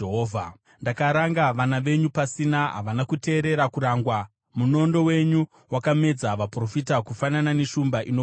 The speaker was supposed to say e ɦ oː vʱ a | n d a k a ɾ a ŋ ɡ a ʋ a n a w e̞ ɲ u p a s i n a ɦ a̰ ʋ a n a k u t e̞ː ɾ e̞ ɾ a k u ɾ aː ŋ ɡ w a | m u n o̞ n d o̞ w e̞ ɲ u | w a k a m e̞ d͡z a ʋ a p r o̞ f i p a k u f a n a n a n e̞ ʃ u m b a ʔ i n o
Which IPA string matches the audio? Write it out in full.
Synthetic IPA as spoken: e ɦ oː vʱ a | n d a k a ɾ a ŋ ɡ a ʋ a n a ʋ e̞ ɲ u p a s i n a ɦ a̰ ʋ a n a k u t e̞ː ɾ e̞ ɾ a k u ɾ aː ŋ ɡ w a | m u n o̞ n d o̞ w e̞ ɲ u | w a k a m e̞ d͡z a ʋ a p r o̞ f i t a k u f a n a n a n e̞ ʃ u m b a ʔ i n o